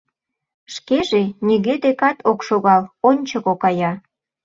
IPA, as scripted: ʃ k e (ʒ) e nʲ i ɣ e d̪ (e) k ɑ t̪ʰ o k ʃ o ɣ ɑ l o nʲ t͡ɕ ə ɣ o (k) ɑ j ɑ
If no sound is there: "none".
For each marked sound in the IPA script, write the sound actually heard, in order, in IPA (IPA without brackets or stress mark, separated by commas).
ʒ, e, k